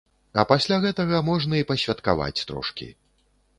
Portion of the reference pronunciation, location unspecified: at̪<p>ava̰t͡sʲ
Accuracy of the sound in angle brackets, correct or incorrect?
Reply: incorrect